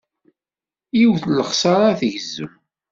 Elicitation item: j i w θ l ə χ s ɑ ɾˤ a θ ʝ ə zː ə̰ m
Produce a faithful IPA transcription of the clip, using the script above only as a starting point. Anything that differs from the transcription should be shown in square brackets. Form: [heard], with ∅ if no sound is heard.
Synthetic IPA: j i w θ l ə χ s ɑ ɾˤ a θ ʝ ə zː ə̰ m